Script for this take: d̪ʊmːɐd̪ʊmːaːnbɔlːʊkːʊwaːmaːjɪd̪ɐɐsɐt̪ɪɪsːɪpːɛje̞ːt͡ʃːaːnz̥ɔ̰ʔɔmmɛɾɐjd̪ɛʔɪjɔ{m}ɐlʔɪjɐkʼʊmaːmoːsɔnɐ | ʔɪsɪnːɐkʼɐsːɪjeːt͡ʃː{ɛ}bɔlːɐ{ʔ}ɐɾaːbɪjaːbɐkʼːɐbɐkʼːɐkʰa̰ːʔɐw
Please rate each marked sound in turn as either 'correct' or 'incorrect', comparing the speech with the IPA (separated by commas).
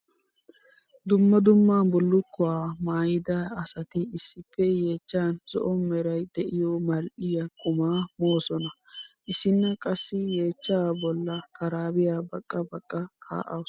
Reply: correct, incorrect, incorrect